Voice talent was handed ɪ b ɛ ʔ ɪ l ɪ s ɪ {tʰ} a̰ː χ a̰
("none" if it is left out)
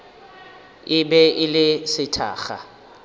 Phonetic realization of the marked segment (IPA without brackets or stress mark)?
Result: tʰ